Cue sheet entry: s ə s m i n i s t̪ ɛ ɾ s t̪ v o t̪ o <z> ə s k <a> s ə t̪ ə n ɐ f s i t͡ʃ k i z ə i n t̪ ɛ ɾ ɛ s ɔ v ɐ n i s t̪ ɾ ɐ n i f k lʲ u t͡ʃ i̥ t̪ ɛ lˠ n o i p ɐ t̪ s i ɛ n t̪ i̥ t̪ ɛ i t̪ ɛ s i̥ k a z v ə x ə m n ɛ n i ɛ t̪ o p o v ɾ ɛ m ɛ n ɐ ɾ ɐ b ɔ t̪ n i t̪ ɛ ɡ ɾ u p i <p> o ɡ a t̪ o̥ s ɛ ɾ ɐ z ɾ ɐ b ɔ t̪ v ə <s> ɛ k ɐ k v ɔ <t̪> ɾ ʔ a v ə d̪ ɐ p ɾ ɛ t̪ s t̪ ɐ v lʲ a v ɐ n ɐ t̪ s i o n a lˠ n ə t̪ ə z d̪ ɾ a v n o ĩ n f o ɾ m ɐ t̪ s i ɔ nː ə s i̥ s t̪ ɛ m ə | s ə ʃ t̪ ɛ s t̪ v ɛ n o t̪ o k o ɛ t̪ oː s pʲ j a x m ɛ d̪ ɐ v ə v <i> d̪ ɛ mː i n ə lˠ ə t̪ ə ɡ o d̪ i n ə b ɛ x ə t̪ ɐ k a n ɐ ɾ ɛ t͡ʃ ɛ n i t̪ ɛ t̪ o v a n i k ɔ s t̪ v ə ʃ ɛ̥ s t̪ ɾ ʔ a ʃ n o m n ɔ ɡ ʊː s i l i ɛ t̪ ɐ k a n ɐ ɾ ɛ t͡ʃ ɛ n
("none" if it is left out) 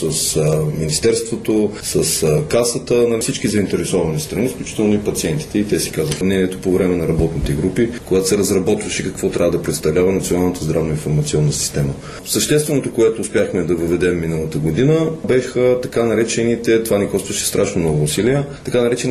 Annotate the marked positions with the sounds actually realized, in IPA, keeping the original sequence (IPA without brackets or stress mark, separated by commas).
s, a, k, ʃ, t̪, ɛ